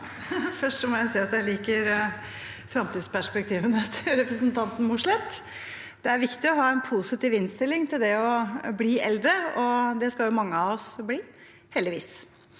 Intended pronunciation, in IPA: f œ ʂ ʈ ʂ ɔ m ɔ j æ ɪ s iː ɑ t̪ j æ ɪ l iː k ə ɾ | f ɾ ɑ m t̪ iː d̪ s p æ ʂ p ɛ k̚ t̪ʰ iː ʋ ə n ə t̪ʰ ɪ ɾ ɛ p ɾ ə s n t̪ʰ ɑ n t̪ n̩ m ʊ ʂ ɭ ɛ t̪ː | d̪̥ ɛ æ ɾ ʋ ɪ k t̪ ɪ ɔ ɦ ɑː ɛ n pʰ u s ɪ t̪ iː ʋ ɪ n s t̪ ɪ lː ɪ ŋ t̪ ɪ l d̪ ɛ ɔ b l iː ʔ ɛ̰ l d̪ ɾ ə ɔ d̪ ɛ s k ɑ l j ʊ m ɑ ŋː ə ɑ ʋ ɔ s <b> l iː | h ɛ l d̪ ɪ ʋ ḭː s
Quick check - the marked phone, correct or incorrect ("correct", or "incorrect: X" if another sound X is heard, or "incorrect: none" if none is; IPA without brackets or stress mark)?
correct